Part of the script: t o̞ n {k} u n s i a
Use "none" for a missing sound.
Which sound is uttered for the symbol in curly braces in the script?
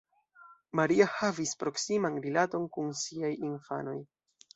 k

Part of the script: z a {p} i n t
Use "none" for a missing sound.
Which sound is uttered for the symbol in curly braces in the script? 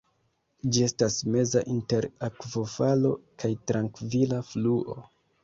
ʔ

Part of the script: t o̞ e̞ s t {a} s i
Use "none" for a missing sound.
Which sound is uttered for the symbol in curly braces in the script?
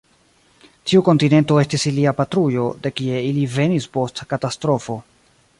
i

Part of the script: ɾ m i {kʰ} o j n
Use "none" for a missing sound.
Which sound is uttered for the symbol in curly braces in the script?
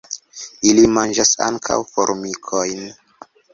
kʰ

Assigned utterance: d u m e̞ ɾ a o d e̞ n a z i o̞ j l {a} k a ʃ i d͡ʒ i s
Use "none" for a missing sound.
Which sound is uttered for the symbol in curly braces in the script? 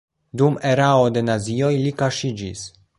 i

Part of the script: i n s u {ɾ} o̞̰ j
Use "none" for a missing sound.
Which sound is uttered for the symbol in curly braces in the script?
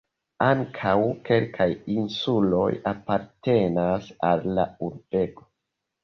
l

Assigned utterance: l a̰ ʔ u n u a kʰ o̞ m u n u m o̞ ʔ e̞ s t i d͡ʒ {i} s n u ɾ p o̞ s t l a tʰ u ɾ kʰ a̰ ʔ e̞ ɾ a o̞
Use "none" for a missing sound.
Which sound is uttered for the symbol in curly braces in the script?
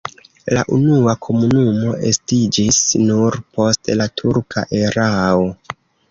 i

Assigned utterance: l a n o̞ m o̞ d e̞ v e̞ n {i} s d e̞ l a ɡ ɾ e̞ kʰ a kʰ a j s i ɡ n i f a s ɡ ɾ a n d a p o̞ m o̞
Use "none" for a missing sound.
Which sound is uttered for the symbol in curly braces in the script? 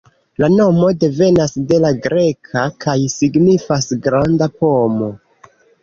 a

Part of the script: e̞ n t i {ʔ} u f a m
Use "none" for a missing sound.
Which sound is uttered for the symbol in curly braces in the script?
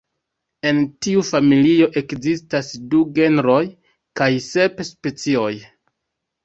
none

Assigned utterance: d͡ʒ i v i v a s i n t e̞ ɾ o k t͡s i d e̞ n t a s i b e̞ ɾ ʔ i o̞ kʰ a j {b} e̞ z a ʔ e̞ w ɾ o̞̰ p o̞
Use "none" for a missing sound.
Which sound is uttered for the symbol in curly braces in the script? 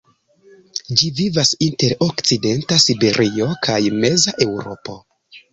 m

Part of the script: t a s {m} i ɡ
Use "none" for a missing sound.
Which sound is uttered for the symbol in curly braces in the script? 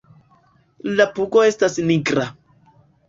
n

